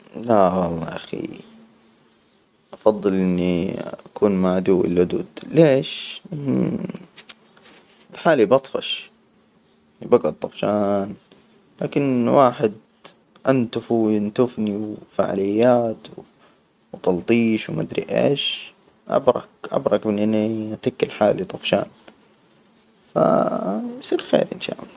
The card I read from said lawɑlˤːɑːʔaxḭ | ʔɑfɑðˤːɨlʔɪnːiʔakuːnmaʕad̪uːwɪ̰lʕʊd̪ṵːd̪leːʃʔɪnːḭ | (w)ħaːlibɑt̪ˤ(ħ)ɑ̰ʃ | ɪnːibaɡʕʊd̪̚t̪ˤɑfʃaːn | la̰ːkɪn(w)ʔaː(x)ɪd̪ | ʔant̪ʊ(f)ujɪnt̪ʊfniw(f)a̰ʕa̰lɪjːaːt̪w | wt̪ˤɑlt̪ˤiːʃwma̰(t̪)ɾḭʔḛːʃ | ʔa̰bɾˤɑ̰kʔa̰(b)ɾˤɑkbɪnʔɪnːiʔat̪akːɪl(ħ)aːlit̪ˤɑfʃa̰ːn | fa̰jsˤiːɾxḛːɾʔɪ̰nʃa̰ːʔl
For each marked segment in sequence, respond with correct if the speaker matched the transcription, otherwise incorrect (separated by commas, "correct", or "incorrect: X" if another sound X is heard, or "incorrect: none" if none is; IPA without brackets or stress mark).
incorrect: b, incorrect: f, correct, incorrect: ħ, correct, correct, incorrect: d̪, correct, correct